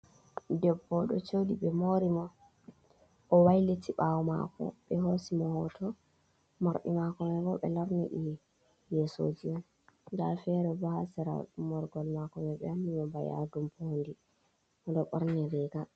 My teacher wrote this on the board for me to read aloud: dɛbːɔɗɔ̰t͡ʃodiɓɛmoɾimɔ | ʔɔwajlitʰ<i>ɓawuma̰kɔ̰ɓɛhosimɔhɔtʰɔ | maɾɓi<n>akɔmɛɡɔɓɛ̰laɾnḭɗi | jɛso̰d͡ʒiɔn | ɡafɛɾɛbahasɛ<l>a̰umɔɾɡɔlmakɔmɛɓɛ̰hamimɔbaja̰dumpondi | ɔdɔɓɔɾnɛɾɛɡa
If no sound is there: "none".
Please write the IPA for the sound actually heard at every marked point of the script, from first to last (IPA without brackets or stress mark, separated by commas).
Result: i, m, ɾ